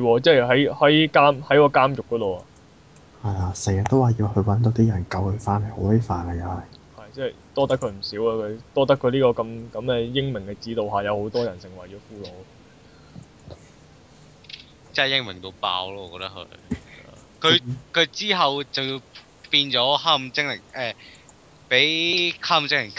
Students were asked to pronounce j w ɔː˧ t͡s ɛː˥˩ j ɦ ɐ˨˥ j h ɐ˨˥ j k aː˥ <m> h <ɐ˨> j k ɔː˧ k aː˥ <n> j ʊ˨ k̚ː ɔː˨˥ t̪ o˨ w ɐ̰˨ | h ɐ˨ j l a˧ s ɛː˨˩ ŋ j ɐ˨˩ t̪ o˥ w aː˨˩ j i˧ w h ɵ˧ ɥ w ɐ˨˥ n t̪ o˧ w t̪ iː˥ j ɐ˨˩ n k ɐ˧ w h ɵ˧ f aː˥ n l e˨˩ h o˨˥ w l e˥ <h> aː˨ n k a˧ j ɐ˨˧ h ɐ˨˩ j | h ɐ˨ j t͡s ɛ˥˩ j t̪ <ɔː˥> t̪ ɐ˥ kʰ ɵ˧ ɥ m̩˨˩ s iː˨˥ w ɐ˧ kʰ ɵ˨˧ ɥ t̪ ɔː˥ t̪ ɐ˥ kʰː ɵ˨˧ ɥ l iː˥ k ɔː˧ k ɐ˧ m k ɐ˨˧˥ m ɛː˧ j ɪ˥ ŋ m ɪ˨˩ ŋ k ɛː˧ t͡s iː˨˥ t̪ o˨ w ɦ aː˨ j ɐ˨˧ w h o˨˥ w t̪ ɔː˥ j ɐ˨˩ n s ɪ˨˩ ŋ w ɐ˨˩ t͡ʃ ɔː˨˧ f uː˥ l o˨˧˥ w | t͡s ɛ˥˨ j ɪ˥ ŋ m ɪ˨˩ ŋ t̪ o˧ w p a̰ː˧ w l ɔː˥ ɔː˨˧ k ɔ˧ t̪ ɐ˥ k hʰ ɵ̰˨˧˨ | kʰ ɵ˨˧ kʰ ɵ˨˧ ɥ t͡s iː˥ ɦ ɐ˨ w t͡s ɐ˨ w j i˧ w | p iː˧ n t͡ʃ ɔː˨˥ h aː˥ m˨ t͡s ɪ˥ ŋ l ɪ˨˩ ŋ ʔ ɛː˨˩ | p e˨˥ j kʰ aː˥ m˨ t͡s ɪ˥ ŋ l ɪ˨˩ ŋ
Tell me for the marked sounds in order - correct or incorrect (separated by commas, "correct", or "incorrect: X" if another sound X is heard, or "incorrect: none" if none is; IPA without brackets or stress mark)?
correct, incorrect: ɐ˨˥, incorrect: m, incorrect: f, correct